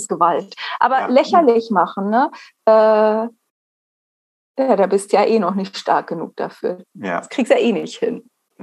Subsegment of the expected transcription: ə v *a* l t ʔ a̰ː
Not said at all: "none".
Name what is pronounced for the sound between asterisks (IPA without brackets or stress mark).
a